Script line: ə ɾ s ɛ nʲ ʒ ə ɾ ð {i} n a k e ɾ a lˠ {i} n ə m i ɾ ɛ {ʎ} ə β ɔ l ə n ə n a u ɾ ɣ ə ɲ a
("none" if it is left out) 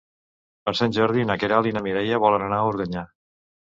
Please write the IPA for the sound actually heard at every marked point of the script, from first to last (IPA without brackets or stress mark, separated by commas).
i, i, j